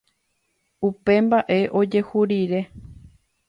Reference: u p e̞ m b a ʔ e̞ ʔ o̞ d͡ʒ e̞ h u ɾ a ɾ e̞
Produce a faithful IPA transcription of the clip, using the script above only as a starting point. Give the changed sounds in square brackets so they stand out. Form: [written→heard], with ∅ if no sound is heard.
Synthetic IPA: u p e̞ m b a ʔ e̞ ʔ o̞ d͡ʒ e̞ h u ɾ [a→i] ɾ e̞